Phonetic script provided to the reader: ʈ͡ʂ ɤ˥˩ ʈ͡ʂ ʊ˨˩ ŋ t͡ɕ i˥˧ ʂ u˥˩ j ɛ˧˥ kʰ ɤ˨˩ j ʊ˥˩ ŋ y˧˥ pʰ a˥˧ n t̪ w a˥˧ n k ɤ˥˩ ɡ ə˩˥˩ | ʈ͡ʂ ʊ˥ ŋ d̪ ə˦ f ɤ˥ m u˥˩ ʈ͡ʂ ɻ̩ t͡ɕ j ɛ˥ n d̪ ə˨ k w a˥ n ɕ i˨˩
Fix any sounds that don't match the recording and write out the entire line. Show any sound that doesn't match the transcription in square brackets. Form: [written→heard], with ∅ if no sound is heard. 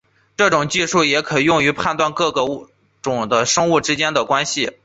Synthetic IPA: ʈ͡ʂ ɤ˥˩ ʈ͡ʂ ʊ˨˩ ŋ t͡ɕ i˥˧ ʂ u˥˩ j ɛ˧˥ kʰ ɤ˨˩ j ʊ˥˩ ŋ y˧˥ pʰ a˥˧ n t̪ w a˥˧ n k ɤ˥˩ ɡ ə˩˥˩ | ʈ͡ʂ [ʊ˥→ʊ˨˩] ŋ d̪ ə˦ [f→ʂ] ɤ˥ [m→ŋ] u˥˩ ʈ͡ʂ ɻ̩ t͡ɕ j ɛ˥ n d̪ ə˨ k w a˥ n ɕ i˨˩